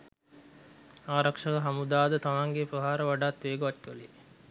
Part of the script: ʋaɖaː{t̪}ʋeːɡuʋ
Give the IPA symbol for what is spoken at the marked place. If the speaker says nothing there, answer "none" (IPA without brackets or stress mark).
t̪